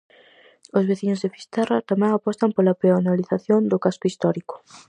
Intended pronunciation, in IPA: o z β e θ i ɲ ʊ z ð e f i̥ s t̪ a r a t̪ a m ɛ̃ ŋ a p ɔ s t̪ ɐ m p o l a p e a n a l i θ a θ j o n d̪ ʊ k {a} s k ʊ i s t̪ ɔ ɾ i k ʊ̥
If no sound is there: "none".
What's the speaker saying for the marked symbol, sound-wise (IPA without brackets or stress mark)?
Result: a